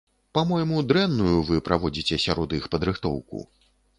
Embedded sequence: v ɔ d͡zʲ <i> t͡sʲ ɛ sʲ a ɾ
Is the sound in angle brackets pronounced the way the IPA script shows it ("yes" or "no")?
yes